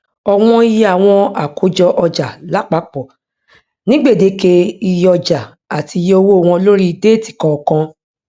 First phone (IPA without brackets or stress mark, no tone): ɔ